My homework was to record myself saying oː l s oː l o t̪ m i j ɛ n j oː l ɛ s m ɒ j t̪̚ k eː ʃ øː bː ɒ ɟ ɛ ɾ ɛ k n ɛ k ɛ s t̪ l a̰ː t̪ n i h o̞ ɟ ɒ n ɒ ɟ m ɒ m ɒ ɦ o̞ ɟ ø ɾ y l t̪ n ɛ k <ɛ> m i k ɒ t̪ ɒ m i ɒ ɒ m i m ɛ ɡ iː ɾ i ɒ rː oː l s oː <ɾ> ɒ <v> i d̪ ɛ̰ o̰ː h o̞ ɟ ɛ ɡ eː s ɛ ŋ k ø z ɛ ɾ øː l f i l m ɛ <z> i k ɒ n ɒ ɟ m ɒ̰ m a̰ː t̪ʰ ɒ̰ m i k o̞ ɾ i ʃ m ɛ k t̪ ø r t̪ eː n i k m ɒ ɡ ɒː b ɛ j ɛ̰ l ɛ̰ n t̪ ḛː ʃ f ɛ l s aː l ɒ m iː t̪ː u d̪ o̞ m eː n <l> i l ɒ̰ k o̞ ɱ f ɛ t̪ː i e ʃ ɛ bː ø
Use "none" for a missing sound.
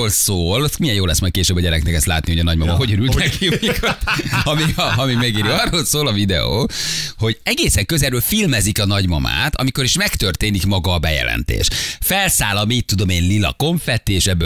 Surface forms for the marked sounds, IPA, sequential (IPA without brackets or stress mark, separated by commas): i, l, v, z, l